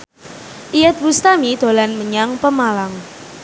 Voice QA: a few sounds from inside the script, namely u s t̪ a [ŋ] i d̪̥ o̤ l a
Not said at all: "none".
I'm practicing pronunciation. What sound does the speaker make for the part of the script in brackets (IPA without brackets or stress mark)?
m